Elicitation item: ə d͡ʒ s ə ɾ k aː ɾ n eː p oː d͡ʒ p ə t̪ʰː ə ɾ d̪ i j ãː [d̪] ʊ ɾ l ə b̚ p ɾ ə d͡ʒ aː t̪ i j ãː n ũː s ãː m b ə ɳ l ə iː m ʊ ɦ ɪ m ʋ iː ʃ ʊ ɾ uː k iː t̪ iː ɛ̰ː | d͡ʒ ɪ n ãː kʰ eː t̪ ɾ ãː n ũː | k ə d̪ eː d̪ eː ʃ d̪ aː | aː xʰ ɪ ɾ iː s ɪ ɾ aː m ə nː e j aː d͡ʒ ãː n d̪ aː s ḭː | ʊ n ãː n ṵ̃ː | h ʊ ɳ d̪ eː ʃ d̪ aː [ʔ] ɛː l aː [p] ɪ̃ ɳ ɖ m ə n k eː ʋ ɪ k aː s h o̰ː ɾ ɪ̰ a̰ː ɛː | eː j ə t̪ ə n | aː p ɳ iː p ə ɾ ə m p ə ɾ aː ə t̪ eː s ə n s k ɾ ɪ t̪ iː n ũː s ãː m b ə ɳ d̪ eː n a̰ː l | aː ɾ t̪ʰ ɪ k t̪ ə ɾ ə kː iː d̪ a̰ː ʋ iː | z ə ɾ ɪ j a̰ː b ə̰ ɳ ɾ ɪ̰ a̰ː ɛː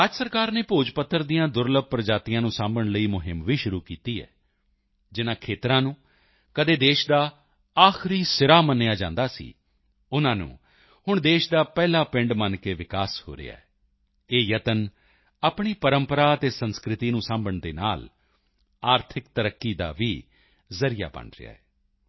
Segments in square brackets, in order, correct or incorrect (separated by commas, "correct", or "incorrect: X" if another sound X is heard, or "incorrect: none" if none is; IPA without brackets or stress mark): correct, incorrect: p, correct